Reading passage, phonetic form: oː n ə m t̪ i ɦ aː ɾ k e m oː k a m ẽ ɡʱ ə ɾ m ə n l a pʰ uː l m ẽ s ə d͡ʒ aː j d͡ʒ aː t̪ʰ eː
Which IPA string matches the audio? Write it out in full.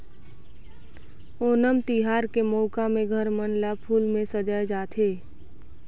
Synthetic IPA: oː n ə m t̪ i ɦ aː ɾ k e m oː k a m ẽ ɡʱ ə ɾ m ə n l a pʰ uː l m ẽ s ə d͡ʒ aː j d͡ʒ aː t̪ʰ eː